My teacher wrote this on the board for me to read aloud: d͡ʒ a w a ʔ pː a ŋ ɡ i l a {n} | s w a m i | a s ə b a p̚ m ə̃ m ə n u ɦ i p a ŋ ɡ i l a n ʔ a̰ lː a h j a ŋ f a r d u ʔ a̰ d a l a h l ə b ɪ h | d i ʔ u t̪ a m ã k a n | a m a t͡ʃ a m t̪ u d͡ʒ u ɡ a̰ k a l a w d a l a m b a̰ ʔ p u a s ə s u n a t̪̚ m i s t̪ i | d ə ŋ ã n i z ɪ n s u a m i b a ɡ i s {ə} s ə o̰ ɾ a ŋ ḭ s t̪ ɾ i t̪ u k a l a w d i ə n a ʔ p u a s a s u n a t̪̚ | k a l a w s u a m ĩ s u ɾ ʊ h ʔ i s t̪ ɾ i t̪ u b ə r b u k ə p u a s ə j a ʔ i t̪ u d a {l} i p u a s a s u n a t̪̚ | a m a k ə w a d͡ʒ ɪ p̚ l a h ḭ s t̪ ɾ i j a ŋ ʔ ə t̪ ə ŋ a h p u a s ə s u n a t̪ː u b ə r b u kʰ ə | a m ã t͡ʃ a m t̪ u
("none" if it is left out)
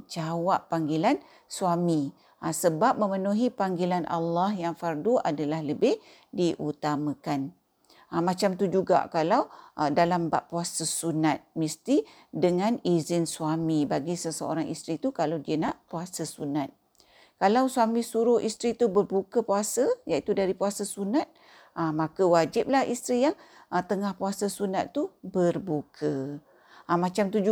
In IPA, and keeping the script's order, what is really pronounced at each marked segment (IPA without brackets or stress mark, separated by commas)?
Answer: n, ə, ɾ